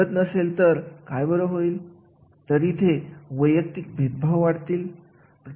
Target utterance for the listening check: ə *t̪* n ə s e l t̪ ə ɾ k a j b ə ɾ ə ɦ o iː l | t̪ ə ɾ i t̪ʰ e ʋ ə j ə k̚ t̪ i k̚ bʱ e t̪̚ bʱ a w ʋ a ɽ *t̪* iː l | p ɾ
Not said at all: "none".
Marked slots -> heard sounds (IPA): t̪, t̪

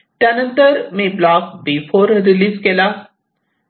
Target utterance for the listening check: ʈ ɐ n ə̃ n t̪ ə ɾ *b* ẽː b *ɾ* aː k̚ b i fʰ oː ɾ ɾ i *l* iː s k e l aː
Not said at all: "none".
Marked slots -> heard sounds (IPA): m, l, l

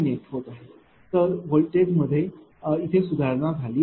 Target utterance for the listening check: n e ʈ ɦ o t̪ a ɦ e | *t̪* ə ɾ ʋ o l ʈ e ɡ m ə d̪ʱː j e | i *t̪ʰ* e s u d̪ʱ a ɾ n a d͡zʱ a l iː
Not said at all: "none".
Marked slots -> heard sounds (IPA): t̪, t̪ʰ

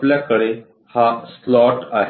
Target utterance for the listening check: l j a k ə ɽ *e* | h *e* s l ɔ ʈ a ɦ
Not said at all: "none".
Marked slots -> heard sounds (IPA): e, a

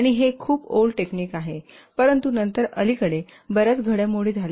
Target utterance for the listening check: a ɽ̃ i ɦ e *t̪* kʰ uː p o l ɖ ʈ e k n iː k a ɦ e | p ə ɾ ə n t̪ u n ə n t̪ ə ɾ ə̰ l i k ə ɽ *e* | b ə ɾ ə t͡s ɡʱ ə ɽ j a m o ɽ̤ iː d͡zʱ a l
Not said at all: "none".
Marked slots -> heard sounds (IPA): none, e

